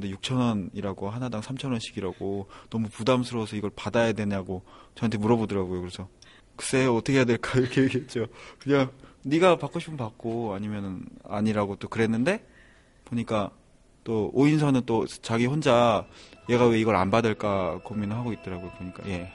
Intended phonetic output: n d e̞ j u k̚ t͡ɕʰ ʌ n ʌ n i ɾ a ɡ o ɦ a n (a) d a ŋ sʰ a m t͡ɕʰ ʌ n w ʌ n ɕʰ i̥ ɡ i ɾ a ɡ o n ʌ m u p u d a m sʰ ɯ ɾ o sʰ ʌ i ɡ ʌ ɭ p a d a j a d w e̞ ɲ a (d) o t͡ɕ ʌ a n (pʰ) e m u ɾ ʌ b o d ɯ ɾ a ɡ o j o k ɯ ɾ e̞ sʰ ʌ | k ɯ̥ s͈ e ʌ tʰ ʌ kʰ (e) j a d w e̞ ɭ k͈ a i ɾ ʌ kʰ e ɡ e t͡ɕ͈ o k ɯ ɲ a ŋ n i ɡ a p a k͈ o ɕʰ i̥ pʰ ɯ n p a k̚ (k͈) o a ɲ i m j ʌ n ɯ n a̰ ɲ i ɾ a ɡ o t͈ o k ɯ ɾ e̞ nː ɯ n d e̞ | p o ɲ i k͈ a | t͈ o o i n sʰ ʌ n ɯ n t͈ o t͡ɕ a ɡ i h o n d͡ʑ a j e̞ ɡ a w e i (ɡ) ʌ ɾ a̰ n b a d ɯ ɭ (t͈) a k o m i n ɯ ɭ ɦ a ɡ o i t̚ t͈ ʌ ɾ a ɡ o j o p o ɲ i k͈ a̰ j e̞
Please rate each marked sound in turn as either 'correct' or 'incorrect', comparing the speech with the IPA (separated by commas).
correct, incorrect, incorrect, correct, correct, correct, incorrect